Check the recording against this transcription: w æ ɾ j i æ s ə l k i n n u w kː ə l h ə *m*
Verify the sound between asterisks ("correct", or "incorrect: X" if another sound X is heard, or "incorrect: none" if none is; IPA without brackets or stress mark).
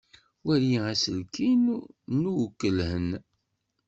incorrect: n